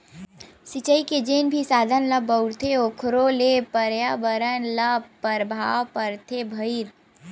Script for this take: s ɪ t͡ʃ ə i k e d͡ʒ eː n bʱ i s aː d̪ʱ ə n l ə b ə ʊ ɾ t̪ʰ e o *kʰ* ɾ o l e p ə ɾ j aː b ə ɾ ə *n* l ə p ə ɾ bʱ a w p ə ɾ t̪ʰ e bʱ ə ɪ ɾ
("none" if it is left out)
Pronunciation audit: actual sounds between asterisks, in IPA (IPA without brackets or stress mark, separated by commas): kʰ, n